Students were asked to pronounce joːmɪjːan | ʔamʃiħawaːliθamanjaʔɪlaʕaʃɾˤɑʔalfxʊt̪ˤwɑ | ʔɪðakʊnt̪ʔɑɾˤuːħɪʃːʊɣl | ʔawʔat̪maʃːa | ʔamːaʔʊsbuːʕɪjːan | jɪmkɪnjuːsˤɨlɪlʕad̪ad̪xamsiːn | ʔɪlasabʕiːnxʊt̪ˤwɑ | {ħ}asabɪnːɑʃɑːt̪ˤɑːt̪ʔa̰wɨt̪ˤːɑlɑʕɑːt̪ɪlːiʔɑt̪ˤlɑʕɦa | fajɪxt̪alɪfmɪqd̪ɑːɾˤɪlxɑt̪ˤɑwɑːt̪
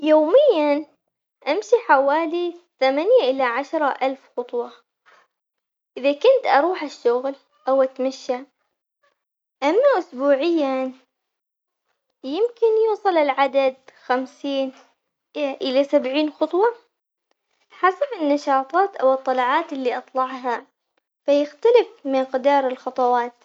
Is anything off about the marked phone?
no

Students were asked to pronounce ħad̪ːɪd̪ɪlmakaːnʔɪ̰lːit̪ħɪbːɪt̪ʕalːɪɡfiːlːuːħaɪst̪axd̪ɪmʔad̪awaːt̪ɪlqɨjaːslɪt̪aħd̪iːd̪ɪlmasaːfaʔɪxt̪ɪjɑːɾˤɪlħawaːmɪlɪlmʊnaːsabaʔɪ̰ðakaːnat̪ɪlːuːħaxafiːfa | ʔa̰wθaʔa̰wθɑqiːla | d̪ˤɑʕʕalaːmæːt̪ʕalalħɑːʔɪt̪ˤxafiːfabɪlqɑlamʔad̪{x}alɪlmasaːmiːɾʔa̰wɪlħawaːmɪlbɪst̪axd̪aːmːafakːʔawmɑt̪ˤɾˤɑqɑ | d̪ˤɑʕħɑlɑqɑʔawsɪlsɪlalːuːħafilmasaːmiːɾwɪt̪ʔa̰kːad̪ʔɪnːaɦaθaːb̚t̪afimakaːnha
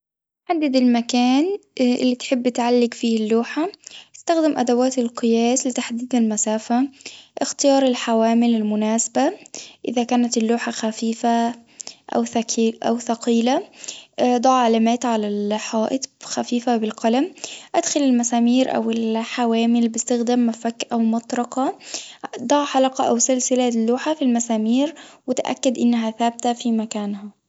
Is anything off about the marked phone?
no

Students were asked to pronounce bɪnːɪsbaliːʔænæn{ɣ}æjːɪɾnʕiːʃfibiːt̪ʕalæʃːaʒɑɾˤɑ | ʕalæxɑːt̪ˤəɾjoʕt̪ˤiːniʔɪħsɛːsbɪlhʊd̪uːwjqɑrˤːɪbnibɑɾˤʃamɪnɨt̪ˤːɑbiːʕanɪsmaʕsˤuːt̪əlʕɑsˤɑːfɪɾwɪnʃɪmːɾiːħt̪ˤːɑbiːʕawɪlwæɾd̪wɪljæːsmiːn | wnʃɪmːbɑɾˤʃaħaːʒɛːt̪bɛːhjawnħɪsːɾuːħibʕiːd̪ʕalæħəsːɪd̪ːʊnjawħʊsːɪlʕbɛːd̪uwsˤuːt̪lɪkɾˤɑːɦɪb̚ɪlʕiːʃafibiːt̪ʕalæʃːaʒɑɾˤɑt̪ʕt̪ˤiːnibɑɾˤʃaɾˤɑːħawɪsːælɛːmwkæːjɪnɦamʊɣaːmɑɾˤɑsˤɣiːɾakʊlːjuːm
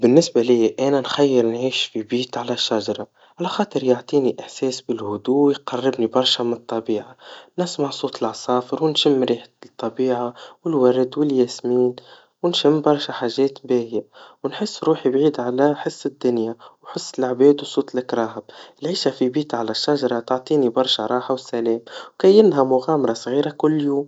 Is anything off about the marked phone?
yes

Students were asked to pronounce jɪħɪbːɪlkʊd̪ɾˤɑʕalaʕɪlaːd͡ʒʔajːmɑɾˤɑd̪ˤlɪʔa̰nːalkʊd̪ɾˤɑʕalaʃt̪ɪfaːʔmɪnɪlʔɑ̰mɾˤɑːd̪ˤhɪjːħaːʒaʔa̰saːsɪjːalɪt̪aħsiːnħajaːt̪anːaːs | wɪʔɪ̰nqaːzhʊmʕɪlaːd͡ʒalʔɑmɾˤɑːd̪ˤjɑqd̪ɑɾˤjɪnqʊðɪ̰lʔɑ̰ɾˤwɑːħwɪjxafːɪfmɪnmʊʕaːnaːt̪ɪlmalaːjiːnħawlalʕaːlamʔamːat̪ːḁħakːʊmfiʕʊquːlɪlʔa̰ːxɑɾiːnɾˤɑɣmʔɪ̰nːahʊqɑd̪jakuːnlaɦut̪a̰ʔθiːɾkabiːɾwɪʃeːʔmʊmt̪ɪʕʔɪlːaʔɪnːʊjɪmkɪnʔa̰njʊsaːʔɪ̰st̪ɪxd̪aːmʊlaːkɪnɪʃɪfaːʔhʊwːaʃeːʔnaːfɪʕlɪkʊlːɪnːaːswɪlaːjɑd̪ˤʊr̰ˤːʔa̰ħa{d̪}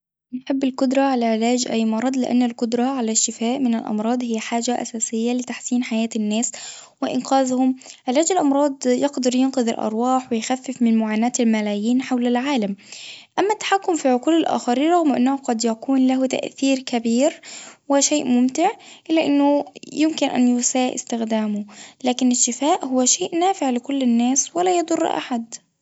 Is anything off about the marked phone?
no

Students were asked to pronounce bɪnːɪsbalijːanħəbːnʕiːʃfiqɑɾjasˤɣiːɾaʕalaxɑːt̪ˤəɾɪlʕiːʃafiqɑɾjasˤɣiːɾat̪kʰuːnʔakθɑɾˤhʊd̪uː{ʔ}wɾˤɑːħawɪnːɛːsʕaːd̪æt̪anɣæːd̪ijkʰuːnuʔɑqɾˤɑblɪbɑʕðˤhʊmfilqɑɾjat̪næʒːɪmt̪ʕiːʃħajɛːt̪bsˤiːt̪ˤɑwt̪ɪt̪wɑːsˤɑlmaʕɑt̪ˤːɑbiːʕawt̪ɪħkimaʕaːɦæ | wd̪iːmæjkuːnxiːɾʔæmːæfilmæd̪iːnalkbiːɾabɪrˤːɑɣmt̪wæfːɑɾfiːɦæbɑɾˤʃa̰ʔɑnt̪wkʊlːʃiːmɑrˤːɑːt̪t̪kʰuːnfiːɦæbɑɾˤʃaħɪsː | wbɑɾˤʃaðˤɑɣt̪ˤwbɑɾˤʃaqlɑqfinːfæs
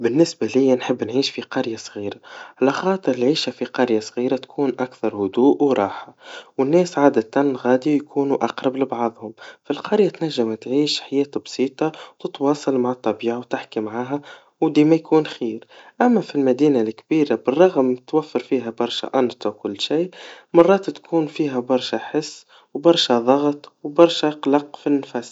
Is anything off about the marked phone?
no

